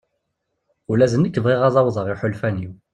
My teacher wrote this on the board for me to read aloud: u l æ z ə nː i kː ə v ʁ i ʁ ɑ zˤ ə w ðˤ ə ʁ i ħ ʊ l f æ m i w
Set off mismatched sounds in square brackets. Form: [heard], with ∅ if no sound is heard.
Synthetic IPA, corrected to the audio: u l æ z ə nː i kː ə v ʁ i ʁ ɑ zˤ [ɑ] w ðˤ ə ʁ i ħ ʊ l f æ [n] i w